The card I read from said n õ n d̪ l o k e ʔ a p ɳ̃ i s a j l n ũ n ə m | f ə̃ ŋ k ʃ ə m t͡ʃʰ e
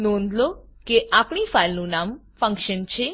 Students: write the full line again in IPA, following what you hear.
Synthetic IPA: n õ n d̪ l o k e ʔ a p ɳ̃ i f a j l n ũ n a m | f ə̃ ŋ k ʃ ə n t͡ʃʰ e

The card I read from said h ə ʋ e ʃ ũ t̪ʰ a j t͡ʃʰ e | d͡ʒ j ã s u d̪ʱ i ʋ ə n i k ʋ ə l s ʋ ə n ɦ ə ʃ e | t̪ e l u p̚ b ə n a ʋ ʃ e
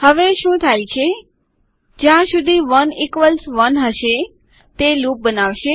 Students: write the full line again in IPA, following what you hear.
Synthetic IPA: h ə ʋ e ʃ ũ t̪ʰ a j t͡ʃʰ e | d͡ʒ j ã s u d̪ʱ i ʋ ə n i k ʋ ə l s ʋ ə n ɦ ə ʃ e | t̪ e l u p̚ b ə n a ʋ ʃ e

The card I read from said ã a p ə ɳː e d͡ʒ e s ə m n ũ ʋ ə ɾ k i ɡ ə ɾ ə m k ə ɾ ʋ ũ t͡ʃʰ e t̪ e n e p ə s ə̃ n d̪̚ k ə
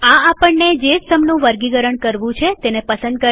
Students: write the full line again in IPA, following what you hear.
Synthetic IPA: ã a p ə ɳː e d͡ʒ e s ə m n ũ ʋ ə ɾ ɡ i ɡ ə ɾ ə ɳ k ə ɾ ʋ ũ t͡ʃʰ e t̪ e n e p ə s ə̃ n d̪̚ k ə

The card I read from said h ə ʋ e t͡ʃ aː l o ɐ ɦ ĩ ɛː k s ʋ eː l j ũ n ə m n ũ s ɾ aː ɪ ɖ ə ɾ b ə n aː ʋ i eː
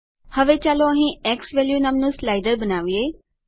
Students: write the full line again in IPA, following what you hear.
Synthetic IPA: h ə ʋ e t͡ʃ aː l o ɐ ɦ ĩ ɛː k s ʋ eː l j u n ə m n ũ s l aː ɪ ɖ ə ɾ b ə n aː ʋ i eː

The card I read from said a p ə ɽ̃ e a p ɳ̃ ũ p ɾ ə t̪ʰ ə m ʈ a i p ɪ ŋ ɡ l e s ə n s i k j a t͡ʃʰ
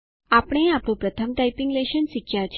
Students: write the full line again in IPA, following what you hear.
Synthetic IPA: a p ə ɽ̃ e a p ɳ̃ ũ p ɾ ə t̪ʰ ə m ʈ a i p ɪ ŋ ɡ l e ʃ ə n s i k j a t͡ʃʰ

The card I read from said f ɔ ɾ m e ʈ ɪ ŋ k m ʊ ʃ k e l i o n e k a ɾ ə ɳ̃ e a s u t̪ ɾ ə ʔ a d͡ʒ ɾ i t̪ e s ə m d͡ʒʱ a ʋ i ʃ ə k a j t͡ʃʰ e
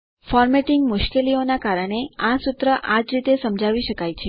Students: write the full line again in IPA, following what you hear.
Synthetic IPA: f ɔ ɾ m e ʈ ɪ ŋ ɡ m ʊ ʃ k e l i o n a k a ɾ ə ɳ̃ e a s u t̪ ɾ ə ʔ a d͡ʒ ɾ i t̪ e s ə m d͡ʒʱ a ʋ i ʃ ə k a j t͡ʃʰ e

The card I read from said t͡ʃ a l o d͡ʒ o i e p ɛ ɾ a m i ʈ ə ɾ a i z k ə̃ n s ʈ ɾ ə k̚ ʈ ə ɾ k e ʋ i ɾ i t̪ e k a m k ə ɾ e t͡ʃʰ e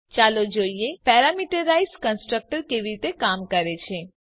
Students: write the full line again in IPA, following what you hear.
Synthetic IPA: t͡ʃ a l o d͡ʒ o i e p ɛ ɾ a m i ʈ ə ɾ a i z k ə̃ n s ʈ ɾ ə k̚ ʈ ə ɾ k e ʋ i ɾ i t̪ e k a m k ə ɾ e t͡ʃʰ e

